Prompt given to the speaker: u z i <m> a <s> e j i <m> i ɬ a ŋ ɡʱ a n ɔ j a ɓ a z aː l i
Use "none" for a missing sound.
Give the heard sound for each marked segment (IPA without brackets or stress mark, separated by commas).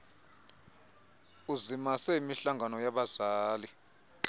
m, s, m